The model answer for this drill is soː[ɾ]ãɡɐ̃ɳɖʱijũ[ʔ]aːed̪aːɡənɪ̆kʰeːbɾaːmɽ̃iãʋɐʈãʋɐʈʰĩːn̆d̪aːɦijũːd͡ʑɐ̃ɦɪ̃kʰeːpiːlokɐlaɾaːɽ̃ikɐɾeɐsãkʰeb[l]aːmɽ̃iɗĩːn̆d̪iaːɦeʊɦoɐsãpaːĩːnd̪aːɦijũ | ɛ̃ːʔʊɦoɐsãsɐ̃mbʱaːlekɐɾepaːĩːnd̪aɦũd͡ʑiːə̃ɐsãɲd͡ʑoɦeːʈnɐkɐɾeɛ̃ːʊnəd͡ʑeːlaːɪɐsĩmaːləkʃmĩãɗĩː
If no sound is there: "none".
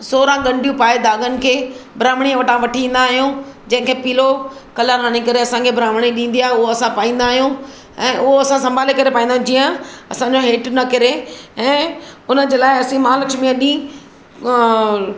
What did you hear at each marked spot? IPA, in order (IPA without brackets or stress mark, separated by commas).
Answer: ɾ, p, ɾ